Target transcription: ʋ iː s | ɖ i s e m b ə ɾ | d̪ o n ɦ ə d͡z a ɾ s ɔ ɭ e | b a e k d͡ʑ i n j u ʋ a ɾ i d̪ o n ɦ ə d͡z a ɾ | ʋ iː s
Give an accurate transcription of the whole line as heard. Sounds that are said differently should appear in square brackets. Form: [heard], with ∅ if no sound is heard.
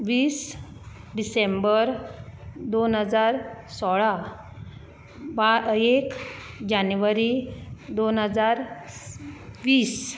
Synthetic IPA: ʋ iː s | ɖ i s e m b ə ɾ | d̪ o n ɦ ə d͡z a ɾ s ɔ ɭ [a] | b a e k d͡ʑ [a] n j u ʋ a ɾ i d̪ o n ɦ ə d͡z a ɾ | ʋ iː s